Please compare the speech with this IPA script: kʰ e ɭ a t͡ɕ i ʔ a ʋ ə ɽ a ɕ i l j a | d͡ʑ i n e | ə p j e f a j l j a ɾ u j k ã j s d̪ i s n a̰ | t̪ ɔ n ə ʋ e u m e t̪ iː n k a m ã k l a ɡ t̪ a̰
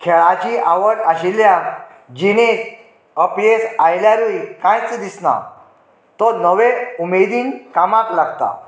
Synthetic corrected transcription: kʰ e ɭ a t͡ɕ i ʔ a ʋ ə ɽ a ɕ i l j a | d͡ʑ i n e | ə p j e s a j l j a ɾ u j k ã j t͡s d̪ i s n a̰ | t̪ ɔ n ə ʋ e u m e d̪ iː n k a m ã k l a ɡ t̪ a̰